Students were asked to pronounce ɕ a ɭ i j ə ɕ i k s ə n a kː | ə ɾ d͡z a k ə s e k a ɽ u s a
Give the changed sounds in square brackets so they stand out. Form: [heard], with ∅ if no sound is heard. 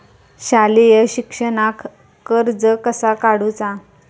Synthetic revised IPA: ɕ a [l] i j ə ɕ i k [ʂ] ə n a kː | ə ɾ d͡z [ə] k ə s [a] k a ɽ u [t͡s] a